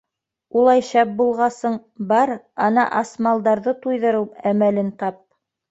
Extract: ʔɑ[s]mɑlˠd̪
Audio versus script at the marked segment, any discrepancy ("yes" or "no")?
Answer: no